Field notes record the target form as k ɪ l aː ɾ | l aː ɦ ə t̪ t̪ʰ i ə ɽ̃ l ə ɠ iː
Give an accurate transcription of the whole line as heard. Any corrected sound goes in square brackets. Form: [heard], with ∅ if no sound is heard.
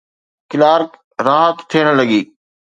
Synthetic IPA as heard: k ɪ l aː ɾ | [ɾ] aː ɦ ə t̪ t̪ʰ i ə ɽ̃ l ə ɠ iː